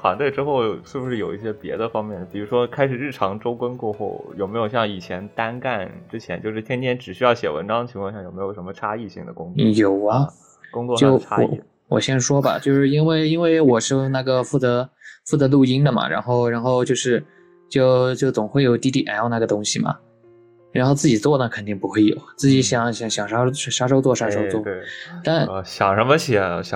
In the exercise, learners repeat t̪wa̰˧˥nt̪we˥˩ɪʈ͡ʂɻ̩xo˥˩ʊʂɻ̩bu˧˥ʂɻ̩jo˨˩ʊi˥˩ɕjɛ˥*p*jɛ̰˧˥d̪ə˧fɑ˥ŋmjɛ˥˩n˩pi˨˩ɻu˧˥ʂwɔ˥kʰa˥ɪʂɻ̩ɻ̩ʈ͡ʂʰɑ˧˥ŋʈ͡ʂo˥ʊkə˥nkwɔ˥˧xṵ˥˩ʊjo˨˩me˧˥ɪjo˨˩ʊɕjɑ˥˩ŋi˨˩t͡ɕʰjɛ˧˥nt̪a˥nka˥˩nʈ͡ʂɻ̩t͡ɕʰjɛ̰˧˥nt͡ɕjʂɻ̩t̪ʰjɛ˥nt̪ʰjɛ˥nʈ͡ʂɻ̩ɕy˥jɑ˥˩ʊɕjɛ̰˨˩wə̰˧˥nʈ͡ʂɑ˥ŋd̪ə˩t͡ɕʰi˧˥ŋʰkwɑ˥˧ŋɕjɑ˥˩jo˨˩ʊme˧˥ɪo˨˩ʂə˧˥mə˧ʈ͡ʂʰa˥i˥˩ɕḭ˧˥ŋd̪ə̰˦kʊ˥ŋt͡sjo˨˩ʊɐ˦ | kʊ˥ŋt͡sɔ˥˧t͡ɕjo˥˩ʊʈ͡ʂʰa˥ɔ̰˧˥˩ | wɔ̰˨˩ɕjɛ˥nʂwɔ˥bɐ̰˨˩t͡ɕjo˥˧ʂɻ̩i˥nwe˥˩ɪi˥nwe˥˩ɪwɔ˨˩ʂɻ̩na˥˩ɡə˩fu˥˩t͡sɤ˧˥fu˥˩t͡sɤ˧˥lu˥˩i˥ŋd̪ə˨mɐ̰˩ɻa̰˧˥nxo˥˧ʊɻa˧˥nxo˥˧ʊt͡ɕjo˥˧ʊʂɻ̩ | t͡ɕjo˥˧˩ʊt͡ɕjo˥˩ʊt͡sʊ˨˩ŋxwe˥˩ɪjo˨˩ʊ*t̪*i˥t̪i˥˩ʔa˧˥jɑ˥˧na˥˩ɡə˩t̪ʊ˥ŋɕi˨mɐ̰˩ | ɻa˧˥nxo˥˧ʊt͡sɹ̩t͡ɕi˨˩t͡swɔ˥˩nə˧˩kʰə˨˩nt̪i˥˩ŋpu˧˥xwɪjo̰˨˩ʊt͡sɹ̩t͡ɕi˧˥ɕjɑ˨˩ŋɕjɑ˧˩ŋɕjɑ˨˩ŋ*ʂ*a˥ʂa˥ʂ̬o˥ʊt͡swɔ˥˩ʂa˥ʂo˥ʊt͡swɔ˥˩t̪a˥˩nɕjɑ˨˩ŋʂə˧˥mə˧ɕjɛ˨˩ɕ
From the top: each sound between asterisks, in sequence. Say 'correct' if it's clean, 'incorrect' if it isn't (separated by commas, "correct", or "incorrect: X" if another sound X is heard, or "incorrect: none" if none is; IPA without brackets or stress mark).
correct, correct, correct